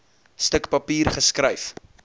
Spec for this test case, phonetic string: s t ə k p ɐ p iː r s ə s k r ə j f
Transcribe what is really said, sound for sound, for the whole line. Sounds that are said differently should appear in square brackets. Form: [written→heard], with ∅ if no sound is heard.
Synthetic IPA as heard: s t ə k p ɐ p iː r [s→χ] ə s k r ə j f